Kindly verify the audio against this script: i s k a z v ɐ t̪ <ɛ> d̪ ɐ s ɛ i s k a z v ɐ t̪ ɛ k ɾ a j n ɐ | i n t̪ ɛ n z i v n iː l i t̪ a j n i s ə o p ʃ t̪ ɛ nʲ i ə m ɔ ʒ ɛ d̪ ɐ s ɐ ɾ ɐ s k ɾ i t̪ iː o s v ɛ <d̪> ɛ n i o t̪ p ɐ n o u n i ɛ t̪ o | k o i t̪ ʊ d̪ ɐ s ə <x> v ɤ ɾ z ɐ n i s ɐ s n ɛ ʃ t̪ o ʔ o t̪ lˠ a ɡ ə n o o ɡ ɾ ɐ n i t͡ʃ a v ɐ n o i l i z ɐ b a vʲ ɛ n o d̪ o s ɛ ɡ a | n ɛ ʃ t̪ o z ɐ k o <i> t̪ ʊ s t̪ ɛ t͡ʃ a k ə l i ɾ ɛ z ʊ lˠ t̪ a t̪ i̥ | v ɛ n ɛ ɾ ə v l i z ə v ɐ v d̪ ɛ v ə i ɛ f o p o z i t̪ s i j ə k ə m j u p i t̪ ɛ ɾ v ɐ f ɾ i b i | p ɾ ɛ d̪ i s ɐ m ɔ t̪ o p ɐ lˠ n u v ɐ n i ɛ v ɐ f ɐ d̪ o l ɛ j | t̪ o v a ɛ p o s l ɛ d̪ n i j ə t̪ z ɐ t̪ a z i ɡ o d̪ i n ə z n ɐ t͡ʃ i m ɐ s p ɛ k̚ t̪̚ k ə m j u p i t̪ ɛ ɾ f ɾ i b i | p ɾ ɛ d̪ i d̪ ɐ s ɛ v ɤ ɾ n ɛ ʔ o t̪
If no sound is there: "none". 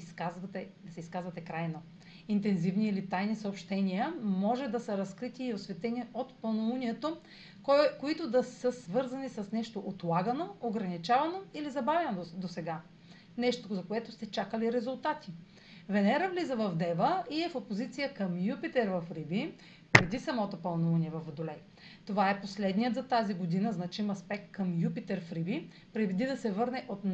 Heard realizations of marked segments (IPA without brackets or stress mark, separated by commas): ɛ, t̪, s, ɛ